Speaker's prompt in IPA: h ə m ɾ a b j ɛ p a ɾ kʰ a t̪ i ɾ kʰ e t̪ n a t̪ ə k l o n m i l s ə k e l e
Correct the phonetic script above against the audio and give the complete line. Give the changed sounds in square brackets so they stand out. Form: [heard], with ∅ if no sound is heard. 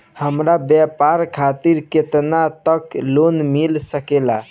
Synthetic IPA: h ə m ɾ a b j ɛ p a ɾ kʰ a t̪ i ɾ [k] e t̪ n a t̪ ə k l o n m i l s ə k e l [a]